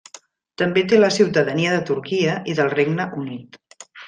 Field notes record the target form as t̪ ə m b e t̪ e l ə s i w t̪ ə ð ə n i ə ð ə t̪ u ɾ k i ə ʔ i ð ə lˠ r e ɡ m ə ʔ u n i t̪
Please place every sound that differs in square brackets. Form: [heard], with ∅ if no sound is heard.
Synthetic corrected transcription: t̪ ə m b e t̪ e l ə s i w t̪ ə ð ə n i ə ð ə t̪ u ɾ k i ə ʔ i ð ə lˠ r e ɡ [n] ə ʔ u n i t̪